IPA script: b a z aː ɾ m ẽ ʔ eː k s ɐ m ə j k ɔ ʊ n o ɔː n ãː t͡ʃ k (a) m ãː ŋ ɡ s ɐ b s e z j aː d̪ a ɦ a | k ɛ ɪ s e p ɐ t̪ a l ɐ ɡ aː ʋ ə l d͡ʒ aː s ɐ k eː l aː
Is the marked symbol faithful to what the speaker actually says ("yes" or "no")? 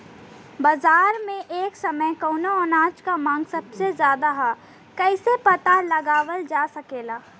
yes